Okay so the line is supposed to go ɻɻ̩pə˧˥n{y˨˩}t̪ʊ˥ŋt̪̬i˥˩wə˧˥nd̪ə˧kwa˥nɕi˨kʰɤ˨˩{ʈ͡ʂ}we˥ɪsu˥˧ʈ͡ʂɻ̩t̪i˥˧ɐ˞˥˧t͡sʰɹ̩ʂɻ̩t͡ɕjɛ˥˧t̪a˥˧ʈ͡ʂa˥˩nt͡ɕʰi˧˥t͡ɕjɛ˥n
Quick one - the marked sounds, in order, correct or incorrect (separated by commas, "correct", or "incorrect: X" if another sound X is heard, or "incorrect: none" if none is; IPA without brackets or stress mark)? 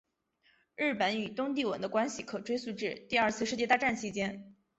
correct, correct